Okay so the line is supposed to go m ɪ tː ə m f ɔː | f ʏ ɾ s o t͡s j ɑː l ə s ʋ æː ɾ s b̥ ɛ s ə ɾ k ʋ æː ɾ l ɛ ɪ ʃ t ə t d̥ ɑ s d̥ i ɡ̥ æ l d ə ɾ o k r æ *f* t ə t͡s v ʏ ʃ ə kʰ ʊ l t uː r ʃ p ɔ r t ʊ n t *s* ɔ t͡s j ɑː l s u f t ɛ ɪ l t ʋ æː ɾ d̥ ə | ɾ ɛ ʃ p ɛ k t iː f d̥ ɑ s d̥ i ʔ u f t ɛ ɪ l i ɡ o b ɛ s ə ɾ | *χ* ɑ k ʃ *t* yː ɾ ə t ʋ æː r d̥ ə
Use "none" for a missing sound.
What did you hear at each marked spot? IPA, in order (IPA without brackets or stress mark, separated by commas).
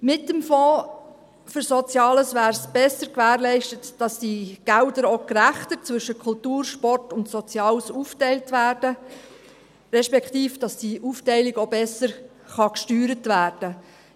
χ, s, χ, t